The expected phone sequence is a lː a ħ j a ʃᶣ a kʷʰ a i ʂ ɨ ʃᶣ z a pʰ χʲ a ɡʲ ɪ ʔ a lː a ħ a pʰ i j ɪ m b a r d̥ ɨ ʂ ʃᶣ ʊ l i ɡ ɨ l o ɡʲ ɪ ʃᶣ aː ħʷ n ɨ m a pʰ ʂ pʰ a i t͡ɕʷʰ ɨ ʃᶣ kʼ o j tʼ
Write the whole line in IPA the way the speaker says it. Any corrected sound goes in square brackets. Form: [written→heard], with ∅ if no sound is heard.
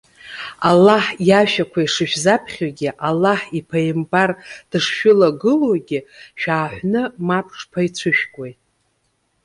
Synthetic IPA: a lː a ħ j a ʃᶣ a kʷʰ a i ʂ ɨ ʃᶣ z a pʰ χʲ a ɡʲ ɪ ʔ a lː a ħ [a→i] pʰ [i→a] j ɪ m b a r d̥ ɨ ʂ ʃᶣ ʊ l [i→a] ɡ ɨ l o ɡʲ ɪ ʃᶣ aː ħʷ n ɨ m a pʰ ʂ pʰ a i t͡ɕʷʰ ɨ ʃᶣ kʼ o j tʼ